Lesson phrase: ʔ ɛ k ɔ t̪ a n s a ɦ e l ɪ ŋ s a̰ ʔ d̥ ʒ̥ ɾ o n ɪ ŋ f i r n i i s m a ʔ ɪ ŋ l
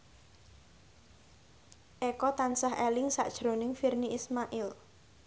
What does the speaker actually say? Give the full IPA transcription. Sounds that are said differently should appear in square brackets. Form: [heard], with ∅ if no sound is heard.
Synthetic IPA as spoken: ʔ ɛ k ɔ t̪ a n s a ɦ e l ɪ ŋ s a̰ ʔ d̥ ʒ̥ ɾ o n ɪ ŋ f i r n i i s m a ʔ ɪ [∅] l